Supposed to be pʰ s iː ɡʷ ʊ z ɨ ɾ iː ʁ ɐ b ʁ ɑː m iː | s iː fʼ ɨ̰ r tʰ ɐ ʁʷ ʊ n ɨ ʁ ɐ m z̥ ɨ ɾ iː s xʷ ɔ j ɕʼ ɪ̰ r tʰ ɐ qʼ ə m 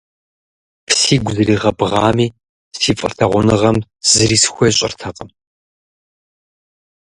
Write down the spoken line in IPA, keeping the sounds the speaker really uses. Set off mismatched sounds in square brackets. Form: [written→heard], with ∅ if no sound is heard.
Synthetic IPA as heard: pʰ s iː ɡʷ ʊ z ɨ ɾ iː ʁ ɐ b ʁ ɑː m iː | s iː fʼ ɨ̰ r tʰ ɐ ʁʷ ʊ n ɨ ʁ ɐ m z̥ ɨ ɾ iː s xʷ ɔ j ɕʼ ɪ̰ r tʰ ɐ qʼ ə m